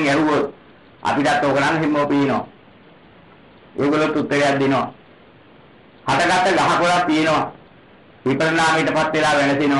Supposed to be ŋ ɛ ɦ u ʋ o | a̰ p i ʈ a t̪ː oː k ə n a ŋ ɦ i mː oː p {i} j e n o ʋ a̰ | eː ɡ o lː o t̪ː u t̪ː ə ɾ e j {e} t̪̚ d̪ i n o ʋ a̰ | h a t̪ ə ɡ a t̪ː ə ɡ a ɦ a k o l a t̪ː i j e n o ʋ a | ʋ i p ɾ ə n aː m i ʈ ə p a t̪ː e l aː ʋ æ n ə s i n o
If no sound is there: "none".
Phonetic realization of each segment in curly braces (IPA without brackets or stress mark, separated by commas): i, a